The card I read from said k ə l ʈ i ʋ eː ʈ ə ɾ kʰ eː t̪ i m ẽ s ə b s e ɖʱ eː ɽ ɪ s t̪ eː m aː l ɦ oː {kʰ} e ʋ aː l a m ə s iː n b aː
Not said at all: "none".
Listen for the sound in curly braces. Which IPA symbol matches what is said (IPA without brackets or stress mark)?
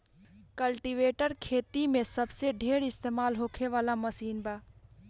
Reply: kʰ